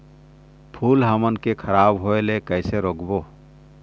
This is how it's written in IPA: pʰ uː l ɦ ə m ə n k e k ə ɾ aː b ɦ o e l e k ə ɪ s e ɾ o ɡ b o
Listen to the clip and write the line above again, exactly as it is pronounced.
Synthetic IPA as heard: pʰ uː l ɦ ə m ə n k e kʰ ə ɾ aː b ɦ o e l e k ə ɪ s e ɾ o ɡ b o